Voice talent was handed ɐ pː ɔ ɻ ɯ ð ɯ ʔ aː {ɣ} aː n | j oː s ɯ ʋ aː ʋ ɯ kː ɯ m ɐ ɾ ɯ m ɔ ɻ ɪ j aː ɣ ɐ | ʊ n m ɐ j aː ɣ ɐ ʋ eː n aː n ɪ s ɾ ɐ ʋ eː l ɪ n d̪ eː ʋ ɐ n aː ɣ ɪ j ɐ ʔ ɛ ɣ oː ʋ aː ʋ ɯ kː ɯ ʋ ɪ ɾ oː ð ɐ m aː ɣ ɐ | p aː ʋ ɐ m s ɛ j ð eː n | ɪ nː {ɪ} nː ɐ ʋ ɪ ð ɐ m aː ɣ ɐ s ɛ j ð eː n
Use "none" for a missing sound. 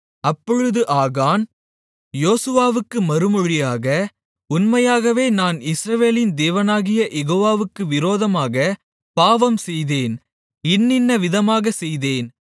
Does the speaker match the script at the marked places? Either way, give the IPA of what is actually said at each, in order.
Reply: ɣ, ɪ

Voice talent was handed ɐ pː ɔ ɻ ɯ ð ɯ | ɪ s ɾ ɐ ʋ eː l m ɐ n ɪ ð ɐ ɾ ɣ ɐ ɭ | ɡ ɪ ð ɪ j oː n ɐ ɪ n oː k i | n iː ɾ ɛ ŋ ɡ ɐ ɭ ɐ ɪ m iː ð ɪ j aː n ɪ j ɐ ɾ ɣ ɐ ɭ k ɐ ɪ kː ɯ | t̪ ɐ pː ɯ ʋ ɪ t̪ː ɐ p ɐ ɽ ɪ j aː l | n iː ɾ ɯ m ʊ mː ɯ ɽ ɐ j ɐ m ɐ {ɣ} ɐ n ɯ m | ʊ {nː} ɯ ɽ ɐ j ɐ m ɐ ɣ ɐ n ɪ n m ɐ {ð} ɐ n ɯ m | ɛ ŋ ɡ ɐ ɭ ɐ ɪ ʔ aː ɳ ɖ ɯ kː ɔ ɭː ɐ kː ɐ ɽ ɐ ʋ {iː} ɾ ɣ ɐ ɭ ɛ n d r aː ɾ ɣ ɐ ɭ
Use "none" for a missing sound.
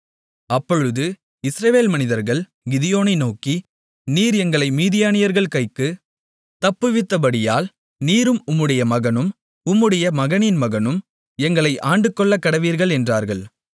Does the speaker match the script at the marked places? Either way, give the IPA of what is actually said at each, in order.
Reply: ɣ, mː, ɣ, iː

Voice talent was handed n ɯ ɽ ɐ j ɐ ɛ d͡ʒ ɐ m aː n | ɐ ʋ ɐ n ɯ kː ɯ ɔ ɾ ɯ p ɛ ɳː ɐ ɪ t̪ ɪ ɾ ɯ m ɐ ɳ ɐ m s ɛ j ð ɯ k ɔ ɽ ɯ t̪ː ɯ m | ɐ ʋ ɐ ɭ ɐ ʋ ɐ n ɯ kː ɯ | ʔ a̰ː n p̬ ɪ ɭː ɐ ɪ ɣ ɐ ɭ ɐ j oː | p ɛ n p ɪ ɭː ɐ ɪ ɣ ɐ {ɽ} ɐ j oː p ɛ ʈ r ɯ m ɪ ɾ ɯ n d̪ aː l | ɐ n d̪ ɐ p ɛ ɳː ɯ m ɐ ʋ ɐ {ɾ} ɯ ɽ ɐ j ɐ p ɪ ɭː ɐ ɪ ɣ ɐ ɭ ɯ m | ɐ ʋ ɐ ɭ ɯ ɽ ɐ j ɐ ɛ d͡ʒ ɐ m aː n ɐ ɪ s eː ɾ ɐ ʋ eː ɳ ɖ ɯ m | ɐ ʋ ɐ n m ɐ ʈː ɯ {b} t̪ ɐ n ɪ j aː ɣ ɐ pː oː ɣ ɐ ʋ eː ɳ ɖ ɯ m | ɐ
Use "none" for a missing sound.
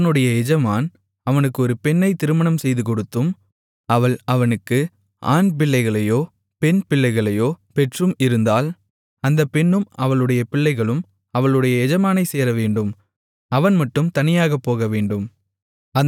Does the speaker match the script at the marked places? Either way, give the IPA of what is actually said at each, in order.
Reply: ɭ, ɭ, m

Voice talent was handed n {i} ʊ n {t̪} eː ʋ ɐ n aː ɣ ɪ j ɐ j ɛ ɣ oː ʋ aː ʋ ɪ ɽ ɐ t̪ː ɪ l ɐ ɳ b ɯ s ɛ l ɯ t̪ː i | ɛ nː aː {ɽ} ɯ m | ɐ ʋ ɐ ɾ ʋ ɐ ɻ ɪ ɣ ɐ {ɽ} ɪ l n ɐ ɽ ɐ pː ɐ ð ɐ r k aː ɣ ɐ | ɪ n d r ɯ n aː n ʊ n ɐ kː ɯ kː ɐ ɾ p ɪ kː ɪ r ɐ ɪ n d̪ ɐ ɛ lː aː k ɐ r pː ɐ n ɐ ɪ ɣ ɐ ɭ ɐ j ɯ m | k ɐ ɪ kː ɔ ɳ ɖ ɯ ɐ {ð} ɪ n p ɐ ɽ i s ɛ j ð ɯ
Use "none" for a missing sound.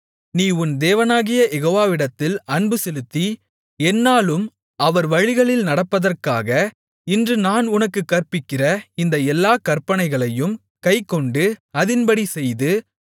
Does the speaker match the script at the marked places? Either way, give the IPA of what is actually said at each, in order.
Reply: iː, d̪, l, ɭ, ð

